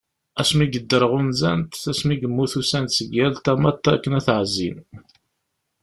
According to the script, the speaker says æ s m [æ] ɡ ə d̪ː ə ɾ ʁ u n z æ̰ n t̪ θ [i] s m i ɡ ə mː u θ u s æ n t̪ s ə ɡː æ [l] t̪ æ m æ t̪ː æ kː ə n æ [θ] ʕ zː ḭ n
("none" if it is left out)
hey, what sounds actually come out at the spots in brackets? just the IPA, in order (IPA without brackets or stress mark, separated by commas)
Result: i, æ, l, θ